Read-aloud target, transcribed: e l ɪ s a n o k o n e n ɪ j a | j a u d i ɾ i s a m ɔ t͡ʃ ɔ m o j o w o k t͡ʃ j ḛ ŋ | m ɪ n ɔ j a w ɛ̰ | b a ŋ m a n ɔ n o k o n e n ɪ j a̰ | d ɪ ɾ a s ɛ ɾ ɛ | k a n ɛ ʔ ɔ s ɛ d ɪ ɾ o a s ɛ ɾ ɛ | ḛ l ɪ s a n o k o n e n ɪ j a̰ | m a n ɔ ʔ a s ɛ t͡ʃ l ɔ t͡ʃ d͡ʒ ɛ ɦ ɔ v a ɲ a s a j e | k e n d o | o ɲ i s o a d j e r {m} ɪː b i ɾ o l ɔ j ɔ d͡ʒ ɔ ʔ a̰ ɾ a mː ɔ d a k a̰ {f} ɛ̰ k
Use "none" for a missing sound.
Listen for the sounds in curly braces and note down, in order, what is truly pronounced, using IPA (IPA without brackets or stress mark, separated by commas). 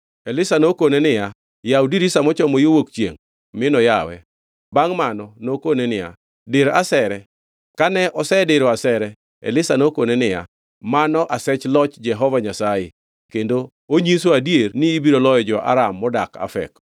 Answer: n, f